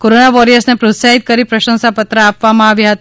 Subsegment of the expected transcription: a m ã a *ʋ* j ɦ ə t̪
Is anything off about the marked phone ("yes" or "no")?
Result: no